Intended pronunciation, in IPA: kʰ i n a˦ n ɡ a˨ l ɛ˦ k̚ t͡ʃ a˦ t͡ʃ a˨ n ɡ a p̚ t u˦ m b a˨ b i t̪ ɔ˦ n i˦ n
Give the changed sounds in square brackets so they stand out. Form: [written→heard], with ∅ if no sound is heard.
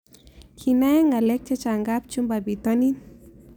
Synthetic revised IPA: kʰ i n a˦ [n→ŋ] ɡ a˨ l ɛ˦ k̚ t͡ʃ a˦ t͡ʃ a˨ [n→ŋ] ɡ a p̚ [t→t͡ʃ] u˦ m b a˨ b i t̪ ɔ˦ n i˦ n